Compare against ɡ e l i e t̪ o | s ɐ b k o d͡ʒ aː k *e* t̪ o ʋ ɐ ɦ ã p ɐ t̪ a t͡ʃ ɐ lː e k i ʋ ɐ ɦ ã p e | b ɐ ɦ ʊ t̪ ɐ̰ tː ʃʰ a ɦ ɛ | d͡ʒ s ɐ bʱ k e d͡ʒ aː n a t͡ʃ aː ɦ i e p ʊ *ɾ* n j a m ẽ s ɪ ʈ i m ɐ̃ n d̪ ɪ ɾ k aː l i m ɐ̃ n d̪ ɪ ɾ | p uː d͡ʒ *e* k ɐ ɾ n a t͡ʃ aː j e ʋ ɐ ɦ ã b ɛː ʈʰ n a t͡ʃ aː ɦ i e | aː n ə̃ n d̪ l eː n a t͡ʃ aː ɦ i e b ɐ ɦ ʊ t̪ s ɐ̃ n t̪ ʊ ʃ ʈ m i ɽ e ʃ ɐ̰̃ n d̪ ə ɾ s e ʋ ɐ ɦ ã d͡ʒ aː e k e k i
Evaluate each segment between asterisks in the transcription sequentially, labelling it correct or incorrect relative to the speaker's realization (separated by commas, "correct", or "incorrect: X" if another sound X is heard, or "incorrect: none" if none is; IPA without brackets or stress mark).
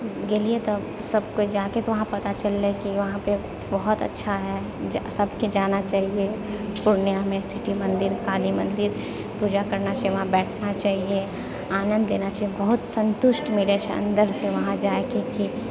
correct, correct, incorrect: a